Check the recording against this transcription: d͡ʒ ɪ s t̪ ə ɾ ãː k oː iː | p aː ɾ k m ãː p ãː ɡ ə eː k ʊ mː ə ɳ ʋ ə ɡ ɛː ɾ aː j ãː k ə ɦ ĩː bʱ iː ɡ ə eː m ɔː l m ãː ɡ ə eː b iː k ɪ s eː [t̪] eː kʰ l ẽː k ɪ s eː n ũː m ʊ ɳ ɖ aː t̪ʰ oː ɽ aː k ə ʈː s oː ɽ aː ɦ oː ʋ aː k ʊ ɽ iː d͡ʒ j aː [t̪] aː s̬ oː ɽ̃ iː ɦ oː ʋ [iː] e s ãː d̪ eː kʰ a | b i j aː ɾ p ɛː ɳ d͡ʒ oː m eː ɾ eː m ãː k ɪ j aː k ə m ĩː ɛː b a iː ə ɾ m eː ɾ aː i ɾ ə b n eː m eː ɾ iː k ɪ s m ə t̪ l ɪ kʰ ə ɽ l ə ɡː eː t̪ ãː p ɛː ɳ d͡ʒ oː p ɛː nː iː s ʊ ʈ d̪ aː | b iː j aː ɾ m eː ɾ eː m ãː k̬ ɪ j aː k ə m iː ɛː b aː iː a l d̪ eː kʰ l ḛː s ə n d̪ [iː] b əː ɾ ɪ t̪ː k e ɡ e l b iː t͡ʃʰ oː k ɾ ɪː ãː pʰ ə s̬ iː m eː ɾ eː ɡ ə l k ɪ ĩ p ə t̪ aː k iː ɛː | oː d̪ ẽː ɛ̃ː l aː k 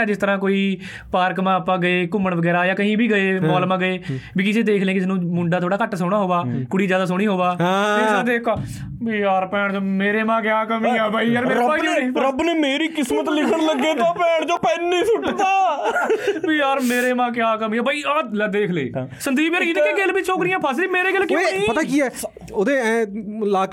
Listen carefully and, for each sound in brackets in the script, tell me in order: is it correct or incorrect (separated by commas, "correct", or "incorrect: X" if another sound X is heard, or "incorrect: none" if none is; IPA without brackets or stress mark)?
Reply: incorrect: d̪, incorrect: d̪, incorrect: aː, correct